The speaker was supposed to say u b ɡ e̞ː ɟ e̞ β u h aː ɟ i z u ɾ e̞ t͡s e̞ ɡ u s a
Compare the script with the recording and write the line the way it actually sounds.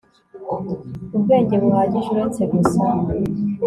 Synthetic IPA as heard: u b ɡ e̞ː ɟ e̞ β u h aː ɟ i ʒ u ɾ e̞ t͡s e̞ ɡ u s a

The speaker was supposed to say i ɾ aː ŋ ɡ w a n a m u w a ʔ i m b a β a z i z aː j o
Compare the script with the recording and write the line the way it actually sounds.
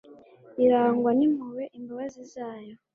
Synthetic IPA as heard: i ɾ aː ŋ ɡ w a n i m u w e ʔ i m b a β a z i z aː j o

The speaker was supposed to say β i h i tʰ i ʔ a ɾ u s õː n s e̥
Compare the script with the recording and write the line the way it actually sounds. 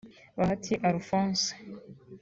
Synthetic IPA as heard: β a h a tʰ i ʔ a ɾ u f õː n s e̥

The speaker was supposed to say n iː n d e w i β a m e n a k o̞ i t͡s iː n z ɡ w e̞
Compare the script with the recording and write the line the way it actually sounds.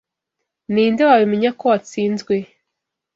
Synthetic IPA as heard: n iː n d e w a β i m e ɲ a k o̞ a t͡s iː n z ɡ w e̞

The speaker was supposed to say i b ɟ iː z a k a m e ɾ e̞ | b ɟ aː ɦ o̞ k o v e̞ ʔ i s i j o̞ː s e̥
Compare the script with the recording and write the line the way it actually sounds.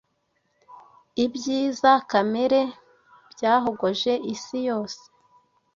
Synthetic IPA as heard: i b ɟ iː z a k a m e ɾ e̞ | b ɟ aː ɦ o̞ ɡ o ʒ e̞ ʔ i s i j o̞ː s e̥

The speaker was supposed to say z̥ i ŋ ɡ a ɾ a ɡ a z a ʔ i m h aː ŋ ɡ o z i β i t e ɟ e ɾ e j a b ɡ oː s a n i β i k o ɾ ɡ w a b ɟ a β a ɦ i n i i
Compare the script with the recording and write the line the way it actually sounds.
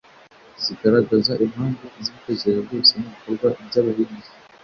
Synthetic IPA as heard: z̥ i ɡ a ɾ a ɡ a z a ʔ i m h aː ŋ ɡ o z i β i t e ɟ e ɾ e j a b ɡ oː s e n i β i k o ɾ ɡ w a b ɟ a β a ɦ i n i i

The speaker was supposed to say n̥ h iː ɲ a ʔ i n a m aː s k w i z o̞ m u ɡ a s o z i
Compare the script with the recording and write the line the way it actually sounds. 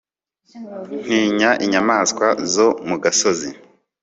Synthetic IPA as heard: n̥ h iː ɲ a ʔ i ɲ a m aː s k w a z o̞ m u ɡ a s o z i

